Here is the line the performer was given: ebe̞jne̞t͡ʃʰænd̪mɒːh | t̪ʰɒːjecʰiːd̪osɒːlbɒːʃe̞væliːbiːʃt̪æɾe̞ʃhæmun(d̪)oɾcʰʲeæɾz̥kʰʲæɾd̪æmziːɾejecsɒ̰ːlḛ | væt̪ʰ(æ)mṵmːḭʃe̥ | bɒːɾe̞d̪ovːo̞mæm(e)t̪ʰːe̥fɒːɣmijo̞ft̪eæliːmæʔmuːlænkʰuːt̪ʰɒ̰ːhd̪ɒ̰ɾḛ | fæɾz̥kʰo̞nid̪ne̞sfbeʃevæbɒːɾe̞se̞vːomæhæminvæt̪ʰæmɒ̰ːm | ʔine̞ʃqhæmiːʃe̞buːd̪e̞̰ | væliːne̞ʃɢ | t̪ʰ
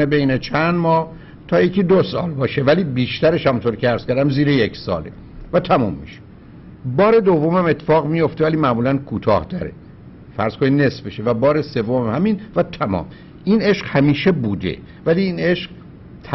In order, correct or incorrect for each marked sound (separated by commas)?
incorrect, correct, correct